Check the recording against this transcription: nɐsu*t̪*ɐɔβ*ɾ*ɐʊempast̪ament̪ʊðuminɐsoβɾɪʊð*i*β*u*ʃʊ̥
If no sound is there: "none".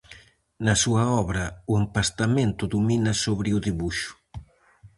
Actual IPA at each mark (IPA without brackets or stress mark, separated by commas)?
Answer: none, ɾ, i, u